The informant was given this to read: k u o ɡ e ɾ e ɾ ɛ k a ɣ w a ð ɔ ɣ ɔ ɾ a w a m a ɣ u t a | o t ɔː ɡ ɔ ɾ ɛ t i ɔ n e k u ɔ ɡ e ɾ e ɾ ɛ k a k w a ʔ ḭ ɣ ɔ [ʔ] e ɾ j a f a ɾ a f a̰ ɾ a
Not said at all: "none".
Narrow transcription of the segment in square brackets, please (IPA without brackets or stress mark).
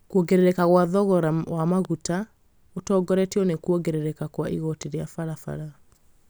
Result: t